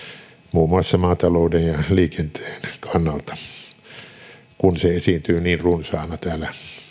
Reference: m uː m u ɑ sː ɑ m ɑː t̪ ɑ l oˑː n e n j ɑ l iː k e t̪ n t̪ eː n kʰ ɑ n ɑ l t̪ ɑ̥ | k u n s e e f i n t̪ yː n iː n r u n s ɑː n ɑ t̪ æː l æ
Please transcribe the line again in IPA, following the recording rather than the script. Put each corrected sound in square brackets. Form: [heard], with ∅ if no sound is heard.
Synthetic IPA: m uː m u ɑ sː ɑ m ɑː t̪ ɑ l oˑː [d] e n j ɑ l iː k e [∅] n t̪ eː n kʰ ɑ [nː] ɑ l t̪ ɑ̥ | k u n s e e [s] i n t̪ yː n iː n r u n s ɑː n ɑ t̪ æː l æ